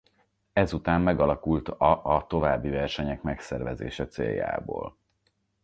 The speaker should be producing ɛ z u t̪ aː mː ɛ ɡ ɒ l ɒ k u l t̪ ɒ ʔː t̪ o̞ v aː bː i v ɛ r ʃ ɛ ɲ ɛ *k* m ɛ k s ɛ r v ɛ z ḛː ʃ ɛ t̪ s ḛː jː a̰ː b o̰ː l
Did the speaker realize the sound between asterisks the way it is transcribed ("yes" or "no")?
yes